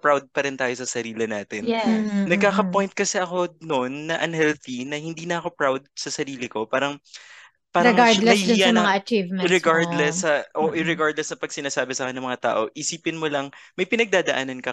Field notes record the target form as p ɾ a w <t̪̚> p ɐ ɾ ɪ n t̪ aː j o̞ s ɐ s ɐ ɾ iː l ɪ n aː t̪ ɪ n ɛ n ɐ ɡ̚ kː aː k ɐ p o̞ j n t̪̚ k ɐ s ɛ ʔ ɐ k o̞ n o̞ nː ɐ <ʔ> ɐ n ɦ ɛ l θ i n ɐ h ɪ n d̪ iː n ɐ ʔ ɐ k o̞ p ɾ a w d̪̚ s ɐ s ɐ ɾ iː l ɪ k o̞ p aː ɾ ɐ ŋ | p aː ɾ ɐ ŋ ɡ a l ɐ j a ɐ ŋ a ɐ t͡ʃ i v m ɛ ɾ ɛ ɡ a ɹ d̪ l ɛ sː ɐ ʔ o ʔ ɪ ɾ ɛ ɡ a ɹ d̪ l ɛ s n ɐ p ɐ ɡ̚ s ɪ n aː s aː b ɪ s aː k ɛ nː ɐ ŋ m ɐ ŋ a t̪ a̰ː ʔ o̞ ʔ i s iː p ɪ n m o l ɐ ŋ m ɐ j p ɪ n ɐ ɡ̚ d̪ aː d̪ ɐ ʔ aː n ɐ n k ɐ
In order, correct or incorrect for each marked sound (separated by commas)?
incorrect, correct